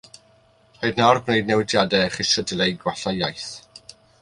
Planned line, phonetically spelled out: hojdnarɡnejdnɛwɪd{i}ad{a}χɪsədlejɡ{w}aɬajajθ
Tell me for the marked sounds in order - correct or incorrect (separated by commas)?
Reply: incorrect, incorrect, correct